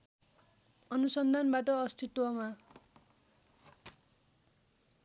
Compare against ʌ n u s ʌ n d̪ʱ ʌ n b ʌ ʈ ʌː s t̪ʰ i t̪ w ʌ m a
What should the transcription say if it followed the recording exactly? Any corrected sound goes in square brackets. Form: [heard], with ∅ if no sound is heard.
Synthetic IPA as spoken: ʌ n u s ʌ n d̪ʱ [a] n b [a] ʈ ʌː s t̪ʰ i t̪ w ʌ m a